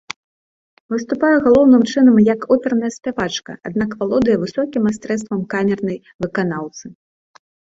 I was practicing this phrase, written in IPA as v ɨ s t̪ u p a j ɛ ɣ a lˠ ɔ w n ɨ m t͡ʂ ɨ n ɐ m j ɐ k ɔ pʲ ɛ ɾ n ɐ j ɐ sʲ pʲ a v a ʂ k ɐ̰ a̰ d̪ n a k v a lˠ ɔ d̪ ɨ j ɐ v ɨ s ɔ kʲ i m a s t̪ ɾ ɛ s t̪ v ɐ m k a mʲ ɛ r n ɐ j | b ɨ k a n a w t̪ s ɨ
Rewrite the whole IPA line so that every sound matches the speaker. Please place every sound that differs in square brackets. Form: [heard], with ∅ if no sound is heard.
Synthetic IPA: v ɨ s t̪ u p a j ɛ ɣ a lˠ ɔ w n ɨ m t͡ʂ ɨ n ɐ m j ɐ k ɔ pʲ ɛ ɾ n ɐ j ɐ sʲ pʲ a v a [t͡ʂ] k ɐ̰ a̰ d̪ n a k v a lˠ ɔ d̪ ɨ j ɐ v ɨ s ɔ kʲ i m a s t̪ ɾ ɛ s t̪ v ɐ m k a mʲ ɛ r n ɐ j | [v] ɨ k a n a w t̪ s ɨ

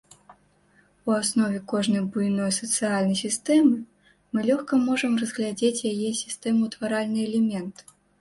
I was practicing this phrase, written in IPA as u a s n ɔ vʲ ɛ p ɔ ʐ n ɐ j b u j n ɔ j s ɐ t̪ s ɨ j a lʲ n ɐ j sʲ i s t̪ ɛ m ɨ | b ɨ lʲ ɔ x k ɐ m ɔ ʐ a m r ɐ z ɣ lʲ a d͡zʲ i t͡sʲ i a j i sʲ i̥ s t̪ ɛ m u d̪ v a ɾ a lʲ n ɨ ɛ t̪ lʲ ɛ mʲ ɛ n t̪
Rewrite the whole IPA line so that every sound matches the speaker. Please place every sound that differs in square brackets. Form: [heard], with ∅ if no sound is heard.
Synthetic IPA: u a s n ɔ vʲ ɛ [k] ɔ ʐ n ɐ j b u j n ɔ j s ɐ t̪ s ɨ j a lʲ n ɐ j sʲ i s t̪ ɛ m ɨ | [m] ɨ lʲ ɔ x k ɐ m ɔ ʐ [ɐ] m r ɐ z ɣ lʲ a d͡zʲ [e] t͡sʲ [j] a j [ɛ] sʲ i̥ s t̪ ɛ m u [t̪] v a ɾ a lʲ n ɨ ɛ [∅] lʲ ɛ mʲ ɛ n t̪

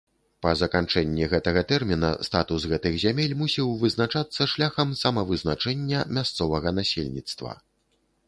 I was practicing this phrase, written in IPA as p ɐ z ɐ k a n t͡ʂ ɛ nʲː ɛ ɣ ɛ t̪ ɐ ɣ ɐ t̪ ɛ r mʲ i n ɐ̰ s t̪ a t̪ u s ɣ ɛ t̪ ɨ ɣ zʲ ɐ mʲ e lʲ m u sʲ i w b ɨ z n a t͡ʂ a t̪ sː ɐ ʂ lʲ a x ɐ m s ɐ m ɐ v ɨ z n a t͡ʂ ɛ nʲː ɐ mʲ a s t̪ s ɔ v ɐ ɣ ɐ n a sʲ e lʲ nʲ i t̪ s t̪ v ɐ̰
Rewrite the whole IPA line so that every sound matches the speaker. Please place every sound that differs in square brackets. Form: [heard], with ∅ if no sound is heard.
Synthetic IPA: p ɐ z ɐ k a n t͡ʂ ɛ nʲː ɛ ɣ ɛ t̪ ɐ ɣ ɐ t̪ ɛ r mʲ i n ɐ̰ s t̪ a t̪ u s ɣ ɛ t̪ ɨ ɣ zʲ [a] mʲ e lʲ m u sʲ i w [v] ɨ z n a t͡ʂ a t̪ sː ɐ ʂ lʲ a x ɐ m s ɐ m ɐ v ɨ z n a t͡ʂ ɛ nʲː ɐ mʲ a s t̪ s ɔ v ɐ ɣ ɐ n a sʲ e lʲ nʲ i t̪ s t̪ v ɐ̰

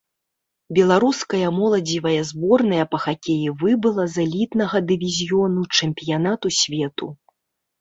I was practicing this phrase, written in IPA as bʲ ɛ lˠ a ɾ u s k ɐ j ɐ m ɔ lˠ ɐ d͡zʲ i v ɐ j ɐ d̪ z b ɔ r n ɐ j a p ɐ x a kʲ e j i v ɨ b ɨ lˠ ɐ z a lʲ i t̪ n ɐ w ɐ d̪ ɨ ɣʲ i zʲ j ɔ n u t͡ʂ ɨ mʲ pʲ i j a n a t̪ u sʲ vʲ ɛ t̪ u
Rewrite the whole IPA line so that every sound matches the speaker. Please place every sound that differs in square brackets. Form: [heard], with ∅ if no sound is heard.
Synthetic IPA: bʲ ɛ lˠ a ɾ u s k ɐ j ɐ m ɔ lˠ ɐ d͡zʲ i v ɐ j ɐ [∅] z b ɔ r n ɐ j [ɐ] p ɐ x a kʲ e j i v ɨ b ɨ lˠ ɐ z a lʲ i t̪ n ɐ [ɣ] ɐ d̪ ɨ [vʲ] i zʲ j ɔ n u t͡ʂ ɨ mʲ pʲ i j a n a t̪ u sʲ vʲ ɛ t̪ u

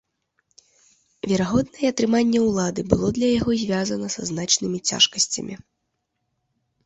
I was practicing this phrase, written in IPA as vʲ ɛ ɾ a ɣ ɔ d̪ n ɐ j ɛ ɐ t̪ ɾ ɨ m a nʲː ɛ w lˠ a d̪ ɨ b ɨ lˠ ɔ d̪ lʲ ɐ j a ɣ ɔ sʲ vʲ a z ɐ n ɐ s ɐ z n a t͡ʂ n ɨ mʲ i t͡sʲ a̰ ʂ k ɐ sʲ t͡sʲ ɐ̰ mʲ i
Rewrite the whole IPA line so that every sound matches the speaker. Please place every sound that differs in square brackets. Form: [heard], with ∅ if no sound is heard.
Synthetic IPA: vʲ ɛ ɾ a ɣ ɔ d̪ n ɐ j ɛ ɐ t̪ ɾ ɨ m a nʲː ɛ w lˠ a d̪ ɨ b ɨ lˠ ɔ d̪ lʲ ɐ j a ɣ ɔ [zʲ] vʲ a z ɐ n ɐ s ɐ z n a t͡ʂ n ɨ mʲ i t͡sʲ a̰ ʂ k ɐ sʲ t͡sʲ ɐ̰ mʲ i

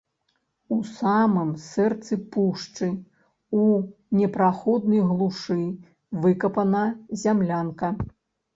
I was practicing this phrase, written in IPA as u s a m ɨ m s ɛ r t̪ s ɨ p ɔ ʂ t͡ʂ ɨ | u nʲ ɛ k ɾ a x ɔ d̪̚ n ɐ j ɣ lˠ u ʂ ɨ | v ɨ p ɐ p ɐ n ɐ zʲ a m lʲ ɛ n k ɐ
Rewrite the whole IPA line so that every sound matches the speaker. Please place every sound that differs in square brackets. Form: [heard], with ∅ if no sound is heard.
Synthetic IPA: u s a m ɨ m s ɛ r t̪ s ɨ p [u] ʂ t͡ʂ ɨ | u nʲ ɛ [p] ɾ a x ɔ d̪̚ n ɐ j ɣ lˠ u ʂ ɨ | v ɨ [k] ɐ p ɐ n ɐ zʲ a m lʲ [a] n k ɐ

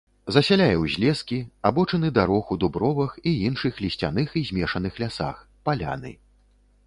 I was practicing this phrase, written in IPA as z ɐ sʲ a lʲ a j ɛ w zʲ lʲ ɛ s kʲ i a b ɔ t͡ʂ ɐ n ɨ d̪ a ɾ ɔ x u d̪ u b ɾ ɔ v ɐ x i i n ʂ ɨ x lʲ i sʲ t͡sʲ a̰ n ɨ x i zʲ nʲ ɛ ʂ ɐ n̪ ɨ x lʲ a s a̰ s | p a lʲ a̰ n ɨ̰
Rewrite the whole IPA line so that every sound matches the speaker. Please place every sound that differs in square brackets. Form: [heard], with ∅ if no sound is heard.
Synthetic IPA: z ɐ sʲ a lʲ a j ɛ w zʲ lʲ ɛ s kʲ i a b ɔ t͡ʂ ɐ n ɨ d̪ a ɾ ɔ x u d̪ u b ɾ ɔ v ɐ x i i n ʂ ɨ x lʲ i sʲ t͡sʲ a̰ n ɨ x i zʲ [mʲ] ɛ ʂ ɐ n̪ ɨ x lʲ a s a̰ [x] | p a lʲ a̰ n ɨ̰

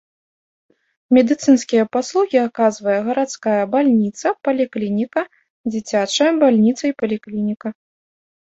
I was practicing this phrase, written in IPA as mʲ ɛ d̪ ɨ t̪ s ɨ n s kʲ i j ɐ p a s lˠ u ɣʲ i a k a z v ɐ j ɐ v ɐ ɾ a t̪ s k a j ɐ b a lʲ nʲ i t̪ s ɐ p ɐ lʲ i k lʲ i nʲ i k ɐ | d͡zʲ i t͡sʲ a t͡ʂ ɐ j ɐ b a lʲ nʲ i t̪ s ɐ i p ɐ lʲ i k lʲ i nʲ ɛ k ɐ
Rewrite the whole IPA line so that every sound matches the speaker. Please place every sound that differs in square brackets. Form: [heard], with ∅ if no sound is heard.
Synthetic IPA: mʲ ɛ d̪ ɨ t̪ s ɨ n s kʲ i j ɐ p a s lˠ u ɣʲ i a k a z v ɐ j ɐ [ɣ] ɐ ɾ a t̪ s k a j ɐ b a lʲ nʲ i t̪ s ɐ p ɐ lʲ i k lʲ i nʲ i k ɐ | d͡zʲ i t͡sʲ a t͡ʂ ɐ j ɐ b a lʲ nʲ i t̪ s ɐ i p ɐ lʲ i k lʲ i nʲ [i] k ɐ

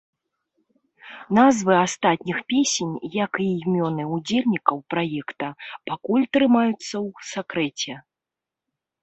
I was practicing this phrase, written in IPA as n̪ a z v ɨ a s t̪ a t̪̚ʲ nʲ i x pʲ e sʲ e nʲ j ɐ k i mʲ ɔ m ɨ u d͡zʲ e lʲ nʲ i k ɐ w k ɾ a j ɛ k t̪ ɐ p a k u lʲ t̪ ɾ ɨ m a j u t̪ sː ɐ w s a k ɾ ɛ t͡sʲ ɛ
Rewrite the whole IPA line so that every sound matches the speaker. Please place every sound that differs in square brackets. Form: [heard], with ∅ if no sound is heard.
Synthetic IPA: n̪ a z v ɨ a s t̪ a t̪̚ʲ nʲ i x pʲ e sʲ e nʲ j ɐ k i mʲ ɔ [n] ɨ u d͡zʲ e lʲ nʲ i k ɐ w [p] ɾ a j ɛ k t̪ ɐ p a k u lʲ t̪ ɾ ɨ m a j u t̪ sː ɐ w s a k ɾ ɛ t͡sʲ ɛ

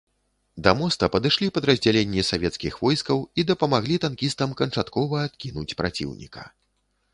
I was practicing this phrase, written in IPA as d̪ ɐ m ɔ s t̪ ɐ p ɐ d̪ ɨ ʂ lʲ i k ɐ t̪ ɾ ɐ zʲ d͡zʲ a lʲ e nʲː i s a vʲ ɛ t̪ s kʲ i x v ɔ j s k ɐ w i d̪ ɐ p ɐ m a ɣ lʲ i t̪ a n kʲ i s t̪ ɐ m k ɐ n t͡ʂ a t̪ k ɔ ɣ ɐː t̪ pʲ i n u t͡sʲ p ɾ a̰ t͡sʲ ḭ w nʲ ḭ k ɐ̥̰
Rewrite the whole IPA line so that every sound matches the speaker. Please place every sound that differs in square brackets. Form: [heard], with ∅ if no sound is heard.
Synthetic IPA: d̪ ɐ m ɔ s t̪ ɐ p ɐ d̪ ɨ ʂ lʲ i [p] ɐ [d̪] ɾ ɐ zʲ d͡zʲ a lʲ e nʲː i s a vʲ ɛ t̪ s kʲ i x v ɔ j s k ɐ w i d̪ ɐ p ɐ m a ɣ lʲ i t̪ a n kʲ i s t̪ ɐ m k ɐ n t͡ʂ a t̪ k ɔ [v] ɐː t̪ [kʲ] i n u t͡sʲ p ɾ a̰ t͡sʲ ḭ w nʲ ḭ k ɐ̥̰

